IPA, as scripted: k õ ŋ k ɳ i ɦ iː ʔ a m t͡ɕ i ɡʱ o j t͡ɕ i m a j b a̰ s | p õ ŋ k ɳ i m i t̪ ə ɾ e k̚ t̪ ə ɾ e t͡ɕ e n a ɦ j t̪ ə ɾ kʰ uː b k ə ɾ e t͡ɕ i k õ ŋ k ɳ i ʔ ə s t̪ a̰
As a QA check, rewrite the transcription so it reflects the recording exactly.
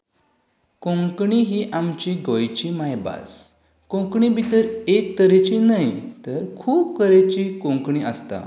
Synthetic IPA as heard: k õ ŋ k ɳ i ɦ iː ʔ a m t͡ɕ i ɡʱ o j t͡ɕ i m a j b a̰ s | k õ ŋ k ɳ i b i t̪ ə ɾ e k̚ t̪ ə ɾ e t͡ɕ i n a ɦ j t̪ ə ɾ kʰ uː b k ə ɾ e t͡ɕ i k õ ŋ k ɳ i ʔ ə s t̪ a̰